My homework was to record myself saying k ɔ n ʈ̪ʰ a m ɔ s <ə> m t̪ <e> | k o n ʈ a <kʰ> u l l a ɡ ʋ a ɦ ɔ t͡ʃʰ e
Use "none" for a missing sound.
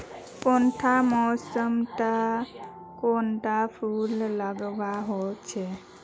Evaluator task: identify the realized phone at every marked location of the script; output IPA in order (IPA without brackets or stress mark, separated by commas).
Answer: ə, a, pʰ